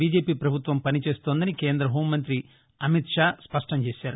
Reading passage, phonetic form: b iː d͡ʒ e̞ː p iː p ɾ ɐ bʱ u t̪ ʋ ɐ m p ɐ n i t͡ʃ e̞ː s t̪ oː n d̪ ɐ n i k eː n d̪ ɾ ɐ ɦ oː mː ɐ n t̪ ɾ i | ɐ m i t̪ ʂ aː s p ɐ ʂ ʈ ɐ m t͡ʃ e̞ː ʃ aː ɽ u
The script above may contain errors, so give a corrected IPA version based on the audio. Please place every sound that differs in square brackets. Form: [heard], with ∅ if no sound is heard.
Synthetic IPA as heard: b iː d͡ʒ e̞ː p iː p ɾ ɐ bʱ u t̪ ʋ ɐ m p ɐ n i t͡ʃ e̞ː s t̪ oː n d̪ ɐ n i k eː n d̪ ɾ ɐ ɦ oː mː ɐ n t̪ ɾ i | ɐ m i t̪ ʂ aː s p ɐ ʂ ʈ ɐ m t͡ʃ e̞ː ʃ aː [ɾ] u